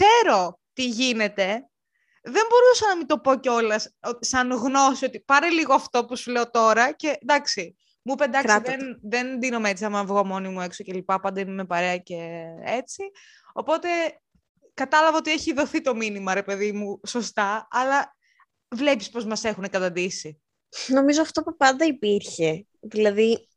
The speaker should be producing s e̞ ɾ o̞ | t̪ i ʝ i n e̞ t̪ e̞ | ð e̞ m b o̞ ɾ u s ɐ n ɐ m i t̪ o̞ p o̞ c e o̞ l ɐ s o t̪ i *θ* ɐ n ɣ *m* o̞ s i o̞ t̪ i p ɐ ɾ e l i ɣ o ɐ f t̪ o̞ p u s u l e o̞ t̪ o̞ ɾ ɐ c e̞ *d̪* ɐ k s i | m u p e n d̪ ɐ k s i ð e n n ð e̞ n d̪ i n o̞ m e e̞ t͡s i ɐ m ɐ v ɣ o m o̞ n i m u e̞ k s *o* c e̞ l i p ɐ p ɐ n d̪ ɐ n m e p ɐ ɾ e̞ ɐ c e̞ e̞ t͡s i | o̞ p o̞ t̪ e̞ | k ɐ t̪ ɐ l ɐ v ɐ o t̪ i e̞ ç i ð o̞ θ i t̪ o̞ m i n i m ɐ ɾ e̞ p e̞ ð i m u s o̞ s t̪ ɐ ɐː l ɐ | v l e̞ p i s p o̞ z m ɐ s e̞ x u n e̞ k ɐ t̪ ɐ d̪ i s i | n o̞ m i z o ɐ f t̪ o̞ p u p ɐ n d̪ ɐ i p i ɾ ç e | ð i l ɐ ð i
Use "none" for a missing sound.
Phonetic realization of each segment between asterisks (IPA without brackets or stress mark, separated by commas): s, n, d̪, o